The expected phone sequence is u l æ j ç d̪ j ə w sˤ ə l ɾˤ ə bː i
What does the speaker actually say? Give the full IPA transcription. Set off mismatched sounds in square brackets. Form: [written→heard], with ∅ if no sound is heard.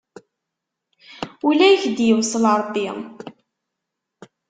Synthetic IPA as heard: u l æ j ç d̪ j ə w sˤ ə l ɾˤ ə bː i

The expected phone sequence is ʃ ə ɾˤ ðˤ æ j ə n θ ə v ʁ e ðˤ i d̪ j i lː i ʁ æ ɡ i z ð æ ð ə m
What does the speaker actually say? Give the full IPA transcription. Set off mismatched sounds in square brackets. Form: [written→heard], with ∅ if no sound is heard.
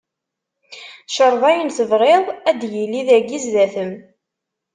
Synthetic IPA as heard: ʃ ə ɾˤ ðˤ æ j ə n θ ə v ʁ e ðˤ [i→æ] d̪ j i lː i [ʁ→ð] æ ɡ i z ð æ [ð→θ] ə m

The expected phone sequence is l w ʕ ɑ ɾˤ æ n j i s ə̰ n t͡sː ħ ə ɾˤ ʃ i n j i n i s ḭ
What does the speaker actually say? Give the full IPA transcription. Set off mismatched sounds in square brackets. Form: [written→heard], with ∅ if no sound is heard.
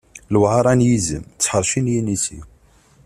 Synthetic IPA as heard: l w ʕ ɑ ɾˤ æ n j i [s→z] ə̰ [n→m] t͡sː ħ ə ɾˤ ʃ i n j i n i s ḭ

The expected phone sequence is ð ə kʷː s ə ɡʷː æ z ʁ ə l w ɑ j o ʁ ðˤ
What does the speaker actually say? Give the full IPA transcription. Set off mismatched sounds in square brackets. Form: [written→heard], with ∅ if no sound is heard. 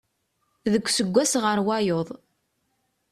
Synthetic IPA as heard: ð ə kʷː s ə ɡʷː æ [z→s] ʁ ə [l→ɾ] w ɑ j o [ʁ→∅] ðˤ

